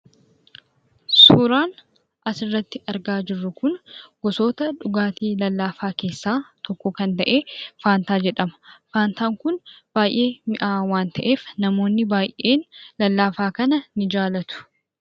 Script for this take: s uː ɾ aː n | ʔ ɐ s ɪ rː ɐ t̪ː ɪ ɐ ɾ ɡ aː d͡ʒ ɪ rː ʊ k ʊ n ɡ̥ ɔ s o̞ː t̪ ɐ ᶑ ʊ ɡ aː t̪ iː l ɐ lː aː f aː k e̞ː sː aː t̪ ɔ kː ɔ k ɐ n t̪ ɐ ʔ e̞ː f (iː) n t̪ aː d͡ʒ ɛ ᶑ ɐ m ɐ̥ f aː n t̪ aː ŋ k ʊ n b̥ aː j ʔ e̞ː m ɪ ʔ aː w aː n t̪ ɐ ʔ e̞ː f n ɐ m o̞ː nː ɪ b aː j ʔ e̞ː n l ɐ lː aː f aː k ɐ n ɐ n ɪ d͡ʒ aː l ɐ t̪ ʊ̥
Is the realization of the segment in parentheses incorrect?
yes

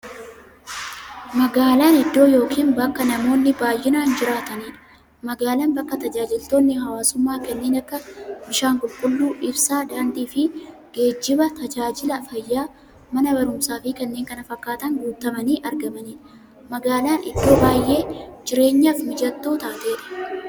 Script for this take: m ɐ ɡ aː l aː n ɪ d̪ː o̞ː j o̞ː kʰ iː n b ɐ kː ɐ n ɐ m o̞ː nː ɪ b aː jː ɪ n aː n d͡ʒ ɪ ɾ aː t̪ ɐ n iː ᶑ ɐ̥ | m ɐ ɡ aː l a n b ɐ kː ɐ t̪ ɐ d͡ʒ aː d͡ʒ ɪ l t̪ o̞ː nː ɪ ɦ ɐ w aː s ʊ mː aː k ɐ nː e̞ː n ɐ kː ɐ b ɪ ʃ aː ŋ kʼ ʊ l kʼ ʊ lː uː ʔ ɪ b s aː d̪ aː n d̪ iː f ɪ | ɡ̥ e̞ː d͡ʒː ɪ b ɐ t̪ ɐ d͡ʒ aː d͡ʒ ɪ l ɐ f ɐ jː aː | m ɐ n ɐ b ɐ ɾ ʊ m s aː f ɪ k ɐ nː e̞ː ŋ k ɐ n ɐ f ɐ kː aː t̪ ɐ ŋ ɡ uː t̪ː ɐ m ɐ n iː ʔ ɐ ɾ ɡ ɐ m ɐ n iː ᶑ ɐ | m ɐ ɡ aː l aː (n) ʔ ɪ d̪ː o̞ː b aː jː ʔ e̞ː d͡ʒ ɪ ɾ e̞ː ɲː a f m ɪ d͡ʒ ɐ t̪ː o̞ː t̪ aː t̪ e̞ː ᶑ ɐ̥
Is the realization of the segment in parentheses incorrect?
no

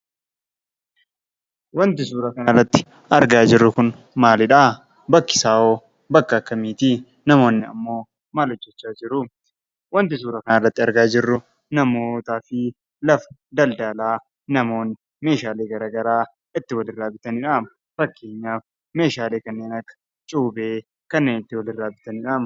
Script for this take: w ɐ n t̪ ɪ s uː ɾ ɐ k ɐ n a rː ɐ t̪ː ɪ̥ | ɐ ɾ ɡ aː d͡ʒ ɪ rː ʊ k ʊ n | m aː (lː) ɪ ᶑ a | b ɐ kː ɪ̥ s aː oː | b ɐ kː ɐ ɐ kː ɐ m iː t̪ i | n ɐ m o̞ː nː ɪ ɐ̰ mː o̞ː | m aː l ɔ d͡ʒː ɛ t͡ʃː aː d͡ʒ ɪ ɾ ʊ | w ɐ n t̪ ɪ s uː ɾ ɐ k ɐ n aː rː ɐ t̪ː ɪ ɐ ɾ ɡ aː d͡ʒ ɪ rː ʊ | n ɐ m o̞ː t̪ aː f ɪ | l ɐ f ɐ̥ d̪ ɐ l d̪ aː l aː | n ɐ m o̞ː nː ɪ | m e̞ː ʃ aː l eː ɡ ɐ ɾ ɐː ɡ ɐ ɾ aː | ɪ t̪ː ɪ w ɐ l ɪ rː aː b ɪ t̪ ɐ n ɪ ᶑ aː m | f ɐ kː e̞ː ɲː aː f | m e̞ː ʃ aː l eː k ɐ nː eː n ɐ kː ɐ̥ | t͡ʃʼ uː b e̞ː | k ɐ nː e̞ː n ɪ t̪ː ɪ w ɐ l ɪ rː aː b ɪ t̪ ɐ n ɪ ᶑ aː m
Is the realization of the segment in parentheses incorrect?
yes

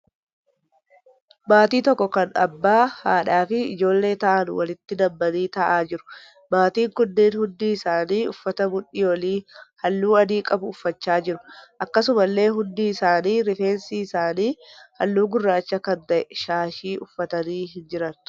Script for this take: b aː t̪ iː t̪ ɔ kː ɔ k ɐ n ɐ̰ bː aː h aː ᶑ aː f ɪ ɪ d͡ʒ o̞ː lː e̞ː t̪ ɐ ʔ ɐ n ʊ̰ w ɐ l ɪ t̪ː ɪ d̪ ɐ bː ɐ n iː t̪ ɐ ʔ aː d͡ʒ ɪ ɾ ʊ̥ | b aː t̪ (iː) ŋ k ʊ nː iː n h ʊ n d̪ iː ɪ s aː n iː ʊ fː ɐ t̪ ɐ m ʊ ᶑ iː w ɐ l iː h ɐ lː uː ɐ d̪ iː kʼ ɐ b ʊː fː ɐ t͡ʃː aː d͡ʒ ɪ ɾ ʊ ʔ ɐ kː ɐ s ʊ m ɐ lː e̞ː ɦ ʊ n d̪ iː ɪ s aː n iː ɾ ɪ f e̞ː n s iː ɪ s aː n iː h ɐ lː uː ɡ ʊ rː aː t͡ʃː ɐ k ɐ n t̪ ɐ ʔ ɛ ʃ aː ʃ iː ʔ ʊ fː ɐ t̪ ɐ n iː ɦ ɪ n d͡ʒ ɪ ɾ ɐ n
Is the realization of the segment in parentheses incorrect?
no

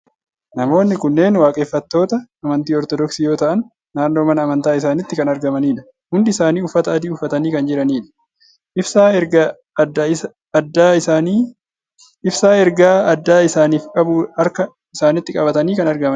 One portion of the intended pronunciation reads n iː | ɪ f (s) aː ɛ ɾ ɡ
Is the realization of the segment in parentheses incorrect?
no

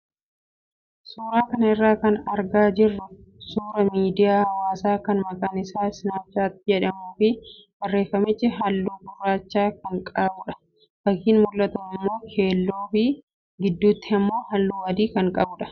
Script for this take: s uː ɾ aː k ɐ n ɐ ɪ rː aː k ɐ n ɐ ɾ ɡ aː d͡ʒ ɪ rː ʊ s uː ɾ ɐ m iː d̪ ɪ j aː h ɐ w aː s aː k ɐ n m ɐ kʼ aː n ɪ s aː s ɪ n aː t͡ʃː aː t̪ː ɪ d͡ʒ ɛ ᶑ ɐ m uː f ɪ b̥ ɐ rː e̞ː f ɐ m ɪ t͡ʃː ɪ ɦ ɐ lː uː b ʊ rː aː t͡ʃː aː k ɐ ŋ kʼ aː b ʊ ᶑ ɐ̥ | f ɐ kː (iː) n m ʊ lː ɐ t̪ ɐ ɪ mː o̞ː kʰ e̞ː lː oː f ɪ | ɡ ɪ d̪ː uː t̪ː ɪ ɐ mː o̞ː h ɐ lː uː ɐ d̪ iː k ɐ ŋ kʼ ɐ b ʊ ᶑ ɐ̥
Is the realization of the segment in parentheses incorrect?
no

